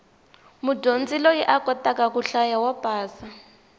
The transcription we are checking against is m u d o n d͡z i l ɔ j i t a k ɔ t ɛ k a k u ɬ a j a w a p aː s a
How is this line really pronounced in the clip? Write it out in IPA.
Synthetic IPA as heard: m u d o n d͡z i l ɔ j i ʔ a k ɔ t a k a k u ɬ a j a w a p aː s a